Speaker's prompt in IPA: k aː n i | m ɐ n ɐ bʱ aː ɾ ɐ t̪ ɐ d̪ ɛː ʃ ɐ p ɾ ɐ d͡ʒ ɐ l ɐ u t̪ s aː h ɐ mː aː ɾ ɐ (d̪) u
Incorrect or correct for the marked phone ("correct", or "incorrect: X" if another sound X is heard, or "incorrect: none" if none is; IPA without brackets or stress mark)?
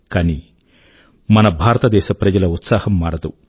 correct